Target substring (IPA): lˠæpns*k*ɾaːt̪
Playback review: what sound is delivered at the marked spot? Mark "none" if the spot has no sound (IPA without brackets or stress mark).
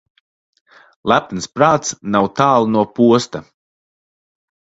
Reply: p